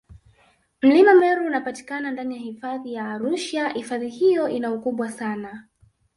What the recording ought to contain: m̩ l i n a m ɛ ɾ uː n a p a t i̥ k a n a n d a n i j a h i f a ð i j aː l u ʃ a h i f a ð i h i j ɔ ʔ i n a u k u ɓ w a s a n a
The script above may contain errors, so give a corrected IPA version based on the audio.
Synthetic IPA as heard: m̩ l i m a m ɛ ɾ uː n a p a t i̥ k a n a n d a n i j a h i f a ð i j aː ɾ u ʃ a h i f a ð i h i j ɔ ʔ i n a u k u ɓ w a s a n a